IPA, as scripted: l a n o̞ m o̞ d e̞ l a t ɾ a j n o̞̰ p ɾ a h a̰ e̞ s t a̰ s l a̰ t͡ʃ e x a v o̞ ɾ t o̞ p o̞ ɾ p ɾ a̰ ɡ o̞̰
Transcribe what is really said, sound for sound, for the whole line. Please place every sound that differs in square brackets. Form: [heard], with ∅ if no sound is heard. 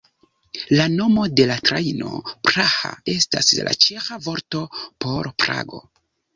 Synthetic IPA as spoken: l a n o̞ m o̞ d e̞ l a t ɾ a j n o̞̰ p ɾ a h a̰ e̞ s t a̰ s l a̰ t͡ʃ e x a v o̞ ɾ t o̞ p o̞ ɾ p ɾ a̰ ɡ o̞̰